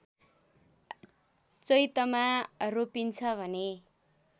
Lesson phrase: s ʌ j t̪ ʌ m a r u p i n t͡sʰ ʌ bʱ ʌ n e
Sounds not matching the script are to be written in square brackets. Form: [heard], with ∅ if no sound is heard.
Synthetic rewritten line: [t͡s] ʌ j t̪ ʌ m a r [o] p i n t͡sʰ ʌ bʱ ʌ n e